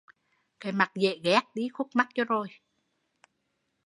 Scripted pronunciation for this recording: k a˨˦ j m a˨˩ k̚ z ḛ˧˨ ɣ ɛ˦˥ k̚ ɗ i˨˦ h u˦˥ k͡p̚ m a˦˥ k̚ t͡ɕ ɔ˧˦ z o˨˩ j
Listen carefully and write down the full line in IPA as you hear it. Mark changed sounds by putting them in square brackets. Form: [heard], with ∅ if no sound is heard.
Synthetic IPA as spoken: k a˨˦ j m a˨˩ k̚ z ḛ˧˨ ɣ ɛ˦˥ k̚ ɗ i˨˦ [x] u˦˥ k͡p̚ m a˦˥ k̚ t͡ɕ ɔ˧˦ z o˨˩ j

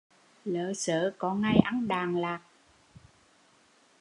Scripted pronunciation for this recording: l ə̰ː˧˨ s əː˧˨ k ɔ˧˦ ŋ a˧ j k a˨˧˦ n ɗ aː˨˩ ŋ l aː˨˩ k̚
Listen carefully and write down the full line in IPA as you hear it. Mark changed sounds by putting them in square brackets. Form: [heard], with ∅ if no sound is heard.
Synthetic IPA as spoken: l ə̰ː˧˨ s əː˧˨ k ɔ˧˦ ŋ a˧ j [ʔ] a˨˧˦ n ɗ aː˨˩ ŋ l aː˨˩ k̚

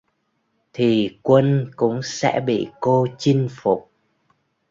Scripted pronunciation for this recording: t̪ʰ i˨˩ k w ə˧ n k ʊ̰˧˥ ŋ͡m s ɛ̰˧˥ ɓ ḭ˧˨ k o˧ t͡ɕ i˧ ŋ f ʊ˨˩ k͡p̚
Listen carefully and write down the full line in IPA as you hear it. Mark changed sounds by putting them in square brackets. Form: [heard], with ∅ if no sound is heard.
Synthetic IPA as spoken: t̪ʰ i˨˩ k w ə˧ n k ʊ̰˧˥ ŋ͡m s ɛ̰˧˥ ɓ ḭ˧˨ k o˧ t͡ɕ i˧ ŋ f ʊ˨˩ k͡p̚

